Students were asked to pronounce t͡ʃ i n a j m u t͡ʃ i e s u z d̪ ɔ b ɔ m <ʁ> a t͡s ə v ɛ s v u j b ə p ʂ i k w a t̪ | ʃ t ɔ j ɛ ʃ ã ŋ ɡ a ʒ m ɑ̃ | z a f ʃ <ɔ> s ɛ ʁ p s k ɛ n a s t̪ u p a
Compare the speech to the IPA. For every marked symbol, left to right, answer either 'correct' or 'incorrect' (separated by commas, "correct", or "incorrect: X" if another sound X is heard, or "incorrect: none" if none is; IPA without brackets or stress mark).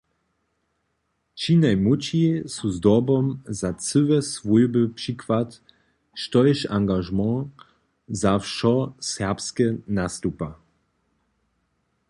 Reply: incorrect: z, correct